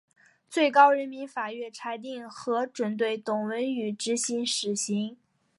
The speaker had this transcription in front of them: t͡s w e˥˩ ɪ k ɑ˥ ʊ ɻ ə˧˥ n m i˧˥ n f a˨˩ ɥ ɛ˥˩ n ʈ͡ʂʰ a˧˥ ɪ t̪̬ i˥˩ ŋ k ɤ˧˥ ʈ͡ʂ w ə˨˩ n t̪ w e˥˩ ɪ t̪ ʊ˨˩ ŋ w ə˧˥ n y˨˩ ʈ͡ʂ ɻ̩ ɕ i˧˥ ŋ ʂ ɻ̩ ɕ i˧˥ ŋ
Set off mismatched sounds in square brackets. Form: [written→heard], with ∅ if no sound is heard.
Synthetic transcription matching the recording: t͡s w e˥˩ ɪ k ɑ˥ ʊ ɻ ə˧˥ n m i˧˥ n f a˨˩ ɥ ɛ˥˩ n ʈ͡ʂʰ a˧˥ ɪ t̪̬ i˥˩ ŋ [k→x] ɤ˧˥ ʈ͡ʂ w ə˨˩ n t̪ w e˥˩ ɪ t̪ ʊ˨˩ ŋ w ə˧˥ n y˨˩ ʈ͡ʂ ɻ̩ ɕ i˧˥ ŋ ʂ ɻ̩ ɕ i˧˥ ŋ